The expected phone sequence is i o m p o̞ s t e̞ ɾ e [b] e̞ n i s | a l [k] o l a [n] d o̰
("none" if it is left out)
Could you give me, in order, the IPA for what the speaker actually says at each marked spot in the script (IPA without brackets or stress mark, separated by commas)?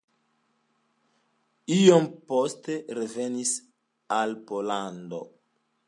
v, p, n